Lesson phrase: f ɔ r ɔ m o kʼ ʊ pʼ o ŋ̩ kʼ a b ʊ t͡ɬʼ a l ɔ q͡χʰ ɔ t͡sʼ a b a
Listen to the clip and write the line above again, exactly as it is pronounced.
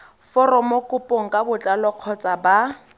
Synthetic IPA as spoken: f ɔ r ɔ m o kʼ ʊ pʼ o ŋ̩ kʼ a b ʊ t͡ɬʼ a l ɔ q͡χʰ ɔ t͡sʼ a b a